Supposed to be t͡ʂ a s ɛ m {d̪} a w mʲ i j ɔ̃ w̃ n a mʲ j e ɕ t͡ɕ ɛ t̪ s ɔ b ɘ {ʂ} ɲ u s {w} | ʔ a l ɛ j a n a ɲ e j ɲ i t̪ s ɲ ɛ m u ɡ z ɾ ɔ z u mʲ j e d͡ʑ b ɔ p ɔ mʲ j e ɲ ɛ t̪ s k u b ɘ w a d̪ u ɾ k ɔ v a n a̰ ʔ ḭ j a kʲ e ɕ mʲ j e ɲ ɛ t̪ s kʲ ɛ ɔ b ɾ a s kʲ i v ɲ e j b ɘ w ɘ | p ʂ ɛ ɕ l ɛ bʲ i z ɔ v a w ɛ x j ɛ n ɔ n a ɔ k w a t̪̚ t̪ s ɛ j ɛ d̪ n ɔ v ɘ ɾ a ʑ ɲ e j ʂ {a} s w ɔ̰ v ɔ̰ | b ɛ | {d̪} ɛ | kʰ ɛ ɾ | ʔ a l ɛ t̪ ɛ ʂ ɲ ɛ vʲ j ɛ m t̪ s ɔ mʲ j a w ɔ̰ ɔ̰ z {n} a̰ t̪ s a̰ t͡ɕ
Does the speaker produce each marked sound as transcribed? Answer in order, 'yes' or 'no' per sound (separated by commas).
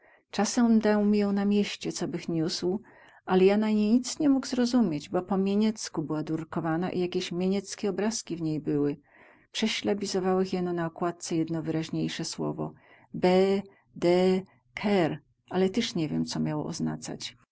yes, no, yes, no, yes, yes